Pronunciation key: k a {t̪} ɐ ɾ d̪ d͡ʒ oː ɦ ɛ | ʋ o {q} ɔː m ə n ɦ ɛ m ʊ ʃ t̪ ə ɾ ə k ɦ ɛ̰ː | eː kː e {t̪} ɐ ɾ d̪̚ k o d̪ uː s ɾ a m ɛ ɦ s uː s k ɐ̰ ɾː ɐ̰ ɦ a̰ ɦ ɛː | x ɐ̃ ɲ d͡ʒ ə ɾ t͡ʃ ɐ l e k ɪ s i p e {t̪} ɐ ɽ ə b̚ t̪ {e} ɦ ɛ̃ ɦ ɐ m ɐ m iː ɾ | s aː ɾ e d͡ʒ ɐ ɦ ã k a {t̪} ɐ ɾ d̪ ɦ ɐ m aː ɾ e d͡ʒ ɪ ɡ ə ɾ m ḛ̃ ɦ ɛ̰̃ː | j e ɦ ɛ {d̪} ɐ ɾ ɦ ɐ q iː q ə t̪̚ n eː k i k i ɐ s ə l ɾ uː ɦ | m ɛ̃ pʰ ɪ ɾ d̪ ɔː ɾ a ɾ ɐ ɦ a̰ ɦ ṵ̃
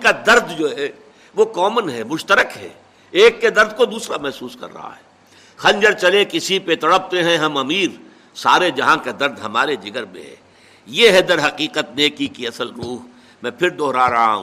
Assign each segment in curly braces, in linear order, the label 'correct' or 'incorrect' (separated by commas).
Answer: incorrect, incorrect, incorrect, correct, correct, incorrect, correct